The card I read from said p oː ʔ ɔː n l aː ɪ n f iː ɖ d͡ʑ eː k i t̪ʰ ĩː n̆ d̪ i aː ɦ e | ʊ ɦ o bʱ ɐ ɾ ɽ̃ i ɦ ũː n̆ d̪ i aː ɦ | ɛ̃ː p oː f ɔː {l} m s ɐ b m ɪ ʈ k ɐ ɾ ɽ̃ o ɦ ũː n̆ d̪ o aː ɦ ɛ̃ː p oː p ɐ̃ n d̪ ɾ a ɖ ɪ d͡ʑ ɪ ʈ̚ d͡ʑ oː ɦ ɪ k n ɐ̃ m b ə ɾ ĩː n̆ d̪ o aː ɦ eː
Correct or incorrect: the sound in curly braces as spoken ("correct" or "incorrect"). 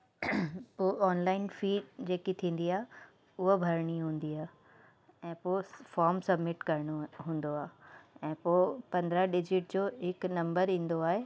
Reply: incorrect